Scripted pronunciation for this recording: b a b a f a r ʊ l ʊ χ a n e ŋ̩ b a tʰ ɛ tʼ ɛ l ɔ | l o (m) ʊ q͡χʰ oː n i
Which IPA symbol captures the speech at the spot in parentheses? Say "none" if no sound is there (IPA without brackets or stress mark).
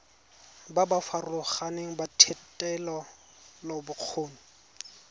b